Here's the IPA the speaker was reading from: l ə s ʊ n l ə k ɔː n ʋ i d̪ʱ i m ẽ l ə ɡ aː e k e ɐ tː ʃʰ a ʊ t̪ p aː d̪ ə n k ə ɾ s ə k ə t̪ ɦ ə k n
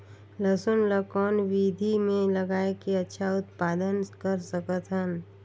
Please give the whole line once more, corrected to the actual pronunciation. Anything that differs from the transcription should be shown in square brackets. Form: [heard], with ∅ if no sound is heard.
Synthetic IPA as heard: l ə s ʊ n l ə k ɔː n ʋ i d̪ʱ i m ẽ l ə ɡ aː e k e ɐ tː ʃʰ a ʊ t̪ p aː d̪ ə n k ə ɾ s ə k ə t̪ ɦ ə [∅] n